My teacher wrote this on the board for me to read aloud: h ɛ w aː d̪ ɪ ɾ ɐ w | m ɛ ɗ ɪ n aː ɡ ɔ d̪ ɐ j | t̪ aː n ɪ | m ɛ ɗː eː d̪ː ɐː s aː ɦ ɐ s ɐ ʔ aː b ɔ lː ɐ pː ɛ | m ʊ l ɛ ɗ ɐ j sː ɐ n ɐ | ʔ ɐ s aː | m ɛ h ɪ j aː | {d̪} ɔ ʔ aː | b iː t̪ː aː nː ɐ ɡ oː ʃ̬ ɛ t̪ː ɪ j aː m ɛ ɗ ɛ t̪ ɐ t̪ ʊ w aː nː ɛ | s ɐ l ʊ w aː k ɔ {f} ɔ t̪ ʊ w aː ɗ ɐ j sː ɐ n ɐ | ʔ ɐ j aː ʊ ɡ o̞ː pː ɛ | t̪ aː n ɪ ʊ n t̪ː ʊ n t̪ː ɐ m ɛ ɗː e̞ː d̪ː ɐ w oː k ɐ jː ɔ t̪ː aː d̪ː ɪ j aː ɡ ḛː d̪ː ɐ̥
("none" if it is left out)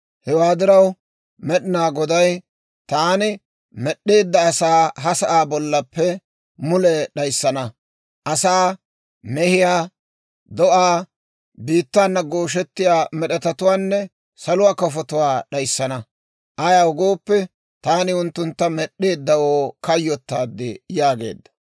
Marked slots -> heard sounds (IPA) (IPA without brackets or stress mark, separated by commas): d̪, f